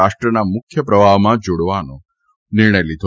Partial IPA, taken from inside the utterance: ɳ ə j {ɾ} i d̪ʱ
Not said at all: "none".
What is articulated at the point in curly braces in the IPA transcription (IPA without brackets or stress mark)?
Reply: l